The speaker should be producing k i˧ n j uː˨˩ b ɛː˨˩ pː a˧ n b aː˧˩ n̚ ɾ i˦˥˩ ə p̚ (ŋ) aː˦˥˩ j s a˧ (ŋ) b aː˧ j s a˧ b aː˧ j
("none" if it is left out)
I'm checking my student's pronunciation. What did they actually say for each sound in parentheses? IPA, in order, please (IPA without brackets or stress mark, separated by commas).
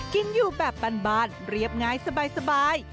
ŋ, none